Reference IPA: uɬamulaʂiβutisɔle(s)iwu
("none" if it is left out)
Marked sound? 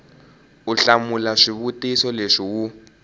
ʂ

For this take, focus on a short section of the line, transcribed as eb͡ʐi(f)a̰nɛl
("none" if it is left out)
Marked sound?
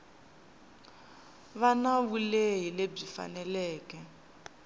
f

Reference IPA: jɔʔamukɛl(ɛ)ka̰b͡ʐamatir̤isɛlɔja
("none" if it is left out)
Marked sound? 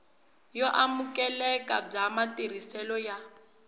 ɛ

